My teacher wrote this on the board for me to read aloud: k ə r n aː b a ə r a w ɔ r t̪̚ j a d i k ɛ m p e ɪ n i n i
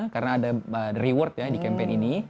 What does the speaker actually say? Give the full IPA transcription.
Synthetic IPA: k a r n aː d a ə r i w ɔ r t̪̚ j a d i k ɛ m p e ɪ n i n i